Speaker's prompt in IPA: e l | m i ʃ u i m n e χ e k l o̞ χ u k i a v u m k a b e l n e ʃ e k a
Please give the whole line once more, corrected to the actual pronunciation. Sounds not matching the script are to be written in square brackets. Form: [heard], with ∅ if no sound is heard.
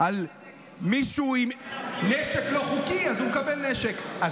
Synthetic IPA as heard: [a] l | m i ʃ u i m n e [ʃ] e k l o̞ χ u k i a [z] u m k a b e l n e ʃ e k a